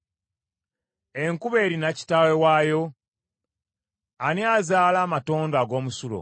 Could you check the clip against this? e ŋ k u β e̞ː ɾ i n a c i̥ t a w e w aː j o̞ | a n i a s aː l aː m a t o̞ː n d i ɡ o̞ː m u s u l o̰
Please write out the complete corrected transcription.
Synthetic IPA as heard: e ŋ k u β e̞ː ɾ i n a c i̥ t a w e w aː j o̞ | a n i a z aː l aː m a t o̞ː n d a ɡ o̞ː m u s u l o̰